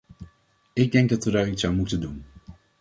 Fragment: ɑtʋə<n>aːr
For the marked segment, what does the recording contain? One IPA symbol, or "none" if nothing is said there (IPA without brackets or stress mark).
d